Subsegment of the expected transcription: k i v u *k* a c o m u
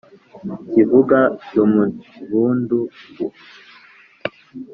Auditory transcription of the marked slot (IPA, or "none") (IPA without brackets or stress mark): ɡ